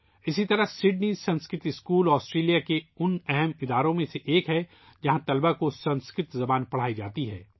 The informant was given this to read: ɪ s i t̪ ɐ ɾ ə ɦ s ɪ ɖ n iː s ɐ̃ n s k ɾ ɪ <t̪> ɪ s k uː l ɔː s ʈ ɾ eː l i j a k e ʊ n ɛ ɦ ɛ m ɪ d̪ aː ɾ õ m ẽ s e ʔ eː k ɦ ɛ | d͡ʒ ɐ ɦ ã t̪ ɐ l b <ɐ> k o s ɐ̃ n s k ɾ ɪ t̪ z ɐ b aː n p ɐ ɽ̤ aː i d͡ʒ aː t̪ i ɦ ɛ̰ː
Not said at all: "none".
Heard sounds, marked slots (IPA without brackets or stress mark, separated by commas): t̪, a